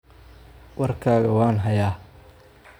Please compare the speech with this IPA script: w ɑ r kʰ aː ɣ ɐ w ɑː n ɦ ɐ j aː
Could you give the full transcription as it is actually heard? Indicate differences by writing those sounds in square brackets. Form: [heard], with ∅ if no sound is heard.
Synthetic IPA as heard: w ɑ r kʰ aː ɣ ɐ w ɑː n ɦ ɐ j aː

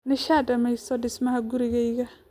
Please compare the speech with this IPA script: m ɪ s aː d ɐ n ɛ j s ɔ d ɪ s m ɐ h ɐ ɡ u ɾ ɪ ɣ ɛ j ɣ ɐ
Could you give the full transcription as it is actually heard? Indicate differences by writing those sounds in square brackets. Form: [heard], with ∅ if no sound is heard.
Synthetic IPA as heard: [n] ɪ [ʃ] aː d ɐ [m] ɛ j s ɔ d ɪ s m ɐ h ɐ ɡ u ɾ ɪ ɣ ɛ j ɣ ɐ

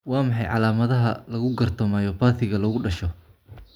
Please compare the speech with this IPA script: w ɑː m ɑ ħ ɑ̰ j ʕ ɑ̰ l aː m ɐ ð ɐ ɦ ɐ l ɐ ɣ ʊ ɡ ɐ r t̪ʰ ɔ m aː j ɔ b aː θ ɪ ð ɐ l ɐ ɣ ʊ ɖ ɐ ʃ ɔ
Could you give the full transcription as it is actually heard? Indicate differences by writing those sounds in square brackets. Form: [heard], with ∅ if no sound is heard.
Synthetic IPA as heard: w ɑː m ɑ ħ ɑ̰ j ʕ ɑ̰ l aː m ɐ ð ɐ ɦ ɐ l ɐ ɣ ʊ ɡ ɐ r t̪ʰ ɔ m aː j ɔ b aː θ ɪ [ɣ] ɐ l ɐ ɣ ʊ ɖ ɐ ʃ ɔ

